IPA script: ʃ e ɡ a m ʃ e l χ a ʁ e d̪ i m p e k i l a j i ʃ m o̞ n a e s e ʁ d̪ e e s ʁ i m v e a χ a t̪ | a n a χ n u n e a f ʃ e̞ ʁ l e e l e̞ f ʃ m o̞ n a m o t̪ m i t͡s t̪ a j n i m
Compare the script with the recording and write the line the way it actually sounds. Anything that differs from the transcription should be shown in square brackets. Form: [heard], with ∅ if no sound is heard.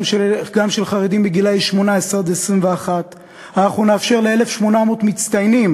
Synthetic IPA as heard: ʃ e ɡ a m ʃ e l χ a ʁ e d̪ i m [b] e [ɡ] i l a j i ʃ m o̞ n a e s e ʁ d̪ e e s ʁ i m v e a χ a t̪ | a n a χ n u n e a f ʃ e̞ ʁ l e e l e̞ f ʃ m o̞ n a m o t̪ m i t͡s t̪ a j n i m